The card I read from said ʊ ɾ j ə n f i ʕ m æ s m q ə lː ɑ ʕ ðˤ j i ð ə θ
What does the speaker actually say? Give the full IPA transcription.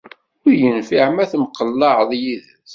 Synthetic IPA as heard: ʊ ɾ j ə n f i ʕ m æ θ m q ə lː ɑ ʕ ðˤ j i ð ə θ